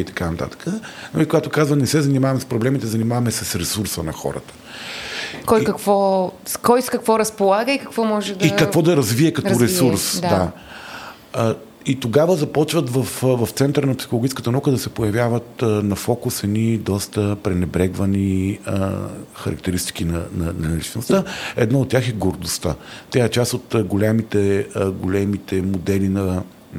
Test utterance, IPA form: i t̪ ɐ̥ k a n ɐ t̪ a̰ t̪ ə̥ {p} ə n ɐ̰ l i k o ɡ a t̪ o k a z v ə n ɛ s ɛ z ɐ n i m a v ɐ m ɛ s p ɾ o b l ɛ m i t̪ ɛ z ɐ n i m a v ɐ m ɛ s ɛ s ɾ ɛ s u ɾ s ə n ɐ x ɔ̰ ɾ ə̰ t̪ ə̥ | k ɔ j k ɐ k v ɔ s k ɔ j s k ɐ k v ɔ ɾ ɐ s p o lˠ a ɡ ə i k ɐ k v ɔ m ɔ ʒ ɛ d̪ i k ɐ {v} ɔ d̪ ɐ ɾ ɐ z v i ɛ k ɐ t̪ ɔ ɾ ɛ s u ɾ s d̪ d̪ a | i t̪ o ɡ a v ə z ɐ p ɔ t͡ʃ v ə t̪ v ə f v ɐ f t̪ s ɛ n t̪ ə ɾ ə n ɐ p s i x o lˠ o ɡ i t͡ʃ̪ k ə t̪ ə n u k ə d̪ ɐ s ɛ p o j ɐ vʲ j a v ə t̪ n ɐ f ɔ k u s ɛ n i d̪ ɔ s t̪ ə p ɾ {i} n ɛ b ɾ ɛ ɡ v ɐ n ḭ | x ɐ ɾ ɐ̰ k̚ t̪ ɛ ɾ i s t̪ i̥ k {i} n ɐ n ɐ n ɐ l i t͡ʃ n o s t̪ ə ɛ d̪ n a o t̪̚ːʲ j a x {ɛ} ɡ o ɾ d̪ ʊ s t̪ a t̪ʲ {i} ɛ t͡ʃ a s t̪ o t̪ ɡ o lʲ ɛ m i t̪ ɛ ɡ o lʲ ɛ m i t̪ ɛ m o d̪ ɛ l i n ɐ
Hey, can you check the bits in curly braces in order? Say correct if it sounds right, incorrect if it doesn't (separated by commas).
incorrect, correct, incorrect, correct, correct, incorrect